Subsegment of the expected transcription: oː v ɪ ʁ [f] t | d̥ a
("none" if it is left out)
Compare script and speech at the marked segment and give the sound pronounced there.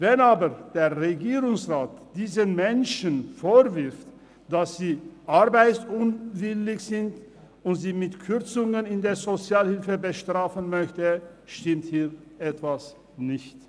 f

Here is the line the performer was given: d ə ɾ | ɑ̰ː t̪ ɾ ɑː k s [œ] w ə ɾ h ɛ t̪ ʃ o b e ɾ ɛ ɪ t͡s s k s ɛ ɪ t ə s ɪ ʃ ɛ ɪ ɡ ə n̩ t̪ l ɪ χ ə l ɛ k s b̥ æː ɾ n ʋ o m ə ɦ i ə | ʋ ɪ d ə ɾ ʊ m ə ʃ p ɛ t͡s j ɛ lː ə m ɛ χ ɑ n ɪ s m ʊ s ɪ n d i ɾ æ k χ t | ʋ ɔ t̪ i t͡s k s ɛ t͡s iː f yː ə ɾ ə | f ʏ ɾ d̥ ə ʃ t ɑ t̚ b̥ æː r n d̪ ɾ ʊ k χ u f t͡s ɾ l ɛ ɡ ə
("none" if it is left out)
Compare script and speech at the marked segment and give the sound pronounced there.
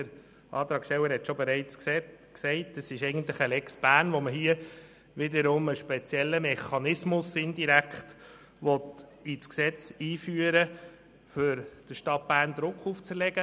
ɛ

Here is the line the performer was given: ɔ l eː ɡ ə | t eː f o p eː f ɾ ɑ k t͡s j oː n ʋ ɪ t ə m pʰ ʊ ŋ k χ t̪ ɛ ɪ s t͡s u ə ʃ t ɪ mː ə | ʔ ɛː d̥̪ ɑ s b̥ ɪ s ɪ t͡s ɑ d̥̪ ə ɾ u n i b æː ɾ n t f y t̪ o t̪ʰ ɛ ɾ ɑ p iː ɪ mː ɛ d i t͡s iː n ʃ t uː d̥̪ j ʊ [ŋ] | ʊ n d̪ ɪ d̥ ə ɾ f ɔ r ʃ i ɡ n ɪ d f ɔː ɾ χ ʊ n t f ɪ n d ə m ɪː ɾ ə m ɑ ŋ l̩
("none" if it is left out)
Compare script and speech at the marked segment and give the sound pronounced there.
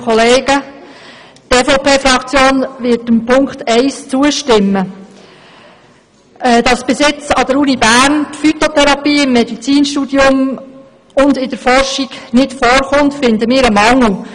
m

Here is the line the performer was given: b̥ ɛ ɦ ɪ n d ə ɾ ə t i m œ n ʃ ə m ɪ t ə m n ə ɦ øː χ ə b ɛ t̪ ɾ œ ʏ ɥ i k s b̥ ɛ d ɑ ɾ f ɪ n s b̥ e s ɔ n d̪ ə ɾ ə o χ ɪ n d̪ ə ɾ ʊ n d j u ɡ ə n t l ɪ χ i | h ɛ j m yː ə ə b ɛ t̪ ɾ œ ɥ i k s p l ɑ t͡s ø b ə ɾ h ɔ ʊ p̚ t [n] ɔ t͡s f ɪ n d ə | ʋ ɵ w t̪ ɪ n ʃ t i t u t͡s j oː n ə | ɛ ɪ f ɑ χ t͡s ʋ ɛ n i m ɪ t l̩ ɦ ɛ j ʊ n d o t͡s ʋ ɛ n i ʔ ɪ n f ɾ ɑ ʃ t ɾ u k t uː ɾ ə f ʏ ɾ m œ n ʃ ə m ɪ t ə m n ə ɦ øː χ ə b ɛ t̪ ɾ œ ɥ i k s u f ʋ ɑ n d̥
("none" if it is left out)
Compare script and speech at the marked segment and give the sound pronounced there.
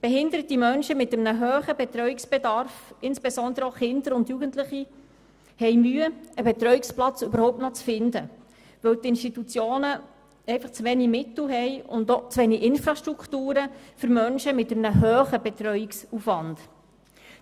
n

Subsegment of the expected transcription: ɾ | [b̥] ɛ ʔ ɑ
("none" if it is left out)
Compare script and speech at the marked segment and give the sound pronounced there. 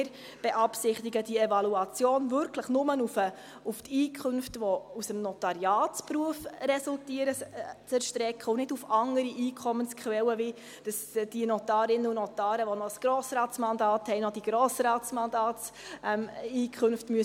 b̥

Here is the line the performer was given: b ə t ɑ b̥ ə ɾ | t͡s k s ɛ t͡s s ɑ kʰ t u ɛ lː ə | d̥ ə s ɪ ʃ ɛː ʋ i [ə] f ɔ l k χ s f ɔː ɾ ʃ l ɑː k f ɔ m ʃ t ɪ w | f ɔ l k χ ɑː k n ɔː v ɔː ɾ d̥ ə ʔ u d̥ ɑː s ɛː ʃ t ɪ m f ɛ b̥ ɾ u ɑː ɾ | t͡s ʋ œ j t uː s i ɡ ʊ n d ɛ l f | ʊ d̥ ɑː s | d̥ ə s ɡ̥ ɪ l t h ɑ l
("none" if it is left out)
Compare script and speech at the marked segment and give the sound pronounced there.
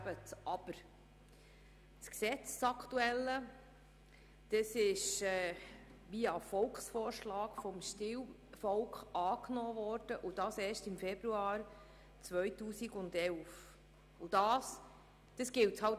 ɑ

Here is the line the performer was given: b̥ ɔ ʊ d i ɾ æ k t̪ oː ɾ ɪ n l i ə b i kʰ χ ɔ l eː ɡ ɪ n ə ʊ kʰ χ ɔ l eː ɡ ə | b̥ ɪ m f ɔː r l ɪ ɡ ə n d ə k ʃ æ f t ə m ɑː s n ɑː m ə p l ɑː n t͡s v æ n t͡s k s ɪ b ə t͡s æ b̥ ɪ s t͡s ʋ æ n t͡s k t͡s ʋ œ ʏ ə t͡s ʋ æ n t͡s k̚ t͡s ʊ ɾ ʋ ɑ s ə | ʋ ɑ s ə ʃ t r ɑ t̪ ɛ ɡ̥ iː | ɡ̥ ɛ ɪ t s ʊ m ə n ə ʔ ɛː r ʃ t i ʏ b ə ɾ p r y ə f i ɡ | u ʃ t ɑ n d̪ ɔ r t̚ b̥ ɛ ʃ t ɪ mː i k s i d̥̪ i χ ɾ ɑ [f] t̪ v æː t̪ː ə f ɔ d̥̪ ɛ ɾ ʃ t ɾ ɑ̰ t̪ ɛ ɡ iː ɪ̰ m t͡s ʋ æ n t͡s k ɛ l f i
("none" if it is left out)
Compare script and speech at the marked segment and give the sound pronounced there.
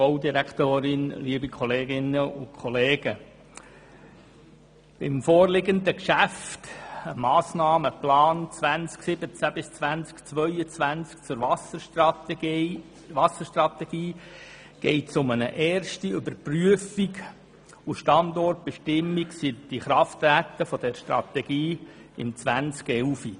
f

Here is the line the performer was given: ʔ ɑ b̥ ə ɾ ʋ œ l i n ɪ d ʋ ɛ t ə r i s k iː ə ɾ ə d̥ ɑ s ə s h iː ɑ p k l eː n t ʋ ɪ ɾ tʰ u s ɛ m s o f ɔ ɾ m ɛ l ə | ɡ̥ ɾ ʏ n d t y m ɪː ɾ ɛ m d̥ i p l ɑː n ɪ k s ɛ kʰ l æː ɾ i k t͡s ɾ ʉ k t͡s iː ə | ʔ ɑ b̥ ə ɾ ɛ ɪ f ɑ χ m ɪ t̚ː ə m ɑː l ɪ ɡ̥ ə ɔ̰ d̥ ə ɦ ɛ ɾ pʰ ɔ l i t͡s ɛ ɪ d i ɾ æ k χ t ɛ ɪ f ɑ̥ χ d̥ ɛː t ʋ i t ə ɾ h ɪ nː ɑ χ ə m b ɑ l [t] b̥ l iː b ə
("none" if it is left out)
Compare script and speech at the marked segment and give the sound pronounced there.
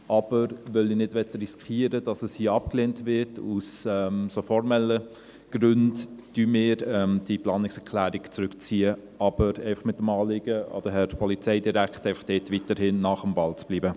t͡s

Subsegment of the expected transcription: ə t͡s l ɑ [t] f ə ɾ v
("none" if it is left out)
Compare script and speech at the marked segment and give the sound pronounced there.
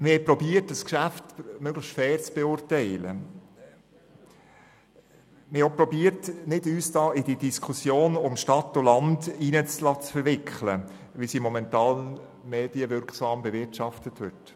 t͡s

